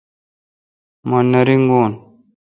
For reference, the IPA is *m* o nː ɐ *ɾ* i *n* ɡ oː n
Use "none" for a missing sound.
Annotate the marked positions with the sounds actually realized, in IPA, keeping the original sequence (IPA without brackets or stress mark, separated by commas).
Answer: m, ɾ, ŋ